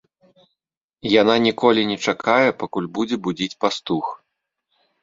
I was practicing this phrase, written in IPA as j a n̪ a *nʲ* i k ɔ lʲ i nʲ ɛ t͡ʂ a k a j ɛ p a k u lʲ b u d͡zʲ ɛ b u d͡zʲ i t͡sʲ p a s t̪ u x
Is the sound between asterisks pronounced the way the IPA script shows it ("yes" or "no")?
yes